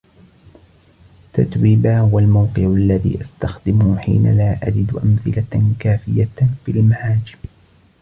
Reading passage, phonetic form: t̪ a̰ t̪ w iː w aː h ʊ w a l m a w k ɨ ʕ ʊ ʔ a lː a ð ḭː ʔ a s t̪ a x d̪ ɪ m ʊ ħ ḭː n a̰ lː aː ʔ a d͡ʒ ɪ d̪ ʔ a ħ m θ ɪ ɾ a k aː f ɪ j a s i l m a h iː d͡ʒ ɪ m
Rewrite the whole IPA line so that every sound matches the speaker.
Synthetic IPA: t̪ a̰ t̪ w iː b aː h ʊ w a l m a w q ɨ ʕ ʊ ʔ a lː a ð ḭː ʔ a s t̪ a x d̪ ɪ m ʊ ħ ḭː n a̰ l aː ʔ a d͡ʒ ɪ d̪ ʔ a m θ ɪ l a k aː f ɪ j a f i l m a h aː d͡ʒ ɪ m